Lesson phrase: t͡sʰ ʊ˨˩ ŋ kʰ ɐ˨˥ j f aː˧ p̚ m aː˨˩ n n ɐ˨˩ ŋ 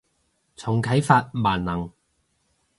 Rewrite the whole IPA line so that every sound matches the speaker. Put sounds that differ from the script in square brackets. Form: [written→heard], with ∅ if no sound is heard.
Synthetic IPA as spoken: t͡sʰ ʊ˨˩ ŋ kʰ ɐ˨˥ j f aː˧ [p̚→t̚] m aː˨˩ n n ɐ˨˩ ŋ